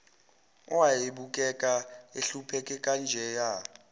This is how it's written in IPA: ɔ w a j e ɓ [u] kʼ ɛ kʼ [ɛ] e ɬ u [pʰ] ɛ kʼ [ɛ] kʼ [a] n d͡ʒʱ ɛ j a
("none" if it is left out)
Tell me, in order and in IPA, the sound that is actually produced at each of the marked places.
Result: u, a, pʰ, ɛ, a

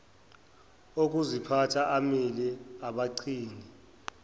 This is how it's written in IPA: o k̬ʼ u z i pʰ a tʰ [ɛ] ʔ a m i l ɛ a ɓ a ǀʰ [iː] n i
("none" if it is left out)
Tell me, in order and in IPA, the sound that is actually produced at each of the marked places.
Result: a, iː

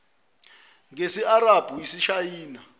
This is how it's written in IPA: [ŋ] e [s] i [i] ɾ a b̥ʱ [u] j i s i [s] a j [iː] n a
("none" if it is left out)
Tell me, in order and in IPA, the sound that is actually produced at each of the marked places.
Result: ŋ, s, a, u, ʃ, iː

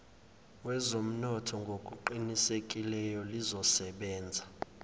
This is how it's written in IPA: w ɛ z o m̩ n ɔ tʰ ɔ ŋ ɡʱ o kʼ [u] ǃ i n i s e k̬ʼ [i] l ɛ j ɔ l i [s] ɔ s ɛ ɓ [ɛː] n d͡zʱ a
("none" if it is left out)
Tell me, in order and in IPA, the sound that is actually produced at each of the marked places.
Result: u, i, z, ɛː

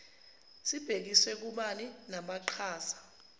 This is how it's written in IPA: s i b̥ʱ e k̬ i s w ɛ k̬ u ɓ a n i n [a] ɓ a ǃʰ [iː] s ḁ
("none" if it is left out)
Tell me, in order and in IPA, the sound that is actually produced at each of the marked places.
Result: a, aː

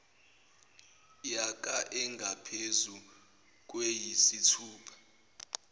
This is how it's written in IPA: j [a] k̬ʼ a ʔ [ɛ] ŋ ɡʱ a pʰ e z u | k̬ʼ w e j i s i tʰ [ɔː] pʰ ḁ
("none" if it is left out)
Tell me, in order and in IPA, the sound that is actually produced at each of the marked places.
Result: a, ɛ, uː

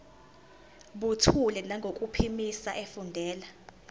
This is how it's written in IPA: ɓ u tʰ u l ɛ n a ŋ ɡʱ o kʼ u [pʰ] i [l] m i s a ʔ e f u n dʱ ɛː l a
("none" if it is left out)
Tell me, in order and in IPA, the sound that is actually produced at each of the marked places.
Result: pʰ, none

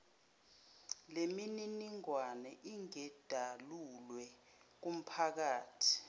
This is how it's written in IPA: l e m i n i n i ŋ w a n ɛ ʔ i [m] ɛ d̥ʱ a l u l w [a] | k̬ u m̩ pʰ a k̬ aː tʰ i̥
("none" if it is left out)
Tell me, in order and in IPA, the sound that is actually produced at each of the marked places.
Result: ŋ, ɛ

